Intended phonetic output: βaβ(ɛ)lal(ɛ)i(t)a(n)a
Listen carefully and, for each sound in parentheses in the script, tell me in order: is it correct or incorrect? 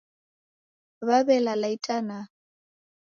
correct, incorrect: a, incorrect: tʼ, correct

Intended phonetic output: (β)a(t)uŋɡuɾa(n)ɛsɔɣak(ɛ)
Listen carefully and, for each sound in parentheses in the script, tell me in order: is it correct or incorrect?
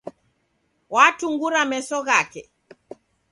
incorrect: w, correct, incorrect: m, correct

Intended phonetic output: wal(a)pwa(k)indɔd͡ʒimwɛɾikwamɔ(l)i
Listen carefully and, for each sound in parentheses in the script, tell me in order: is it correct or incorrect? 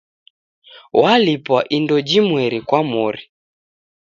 incorrect: i, incorrect: ʔ, incorrect: ɾ

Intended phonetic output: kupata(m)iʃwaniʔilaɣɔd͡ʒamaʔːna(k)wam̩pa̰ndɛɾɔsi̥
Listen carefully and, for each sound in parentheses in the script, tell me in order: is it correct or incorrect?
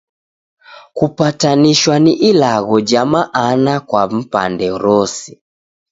incorrect: n, correct

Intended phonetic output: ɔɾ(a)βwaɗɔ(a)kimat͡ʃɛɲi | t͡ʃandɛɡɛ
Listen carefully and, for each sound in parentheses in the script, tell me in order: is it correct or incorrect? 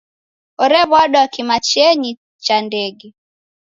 incorrect: ɛ, correct

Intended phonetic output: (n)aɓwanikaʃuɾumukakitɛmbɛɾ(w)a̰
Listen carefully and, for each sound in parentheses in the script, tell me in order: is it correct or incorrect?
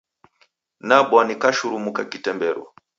correct, correct

